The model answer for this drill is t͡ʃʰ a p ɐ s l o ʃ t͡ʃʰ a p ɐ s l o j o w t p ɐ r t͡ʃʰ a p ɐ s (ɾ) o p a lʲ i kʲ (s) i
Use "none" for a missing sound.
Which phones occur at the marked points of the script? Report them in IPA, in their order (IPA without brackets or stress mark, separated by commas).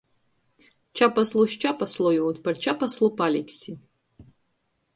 l, s